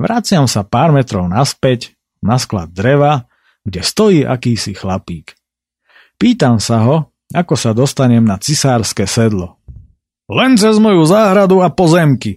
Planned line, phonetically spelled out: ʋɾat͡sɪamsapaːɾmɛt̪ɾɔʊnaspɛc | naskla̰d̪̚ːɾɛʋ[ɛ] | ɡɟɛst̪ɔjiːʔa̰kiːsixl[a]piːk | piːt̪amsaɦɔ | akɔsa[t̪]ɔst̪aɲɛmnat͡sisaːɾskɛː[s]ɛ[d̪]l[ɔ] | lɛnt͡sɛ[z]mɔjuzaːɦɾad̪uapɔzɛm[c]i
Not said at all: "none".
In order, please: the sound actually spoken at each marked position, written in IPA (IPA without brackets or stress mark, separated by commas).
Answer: a, a, d̪, s, d̪, ɔ, z, k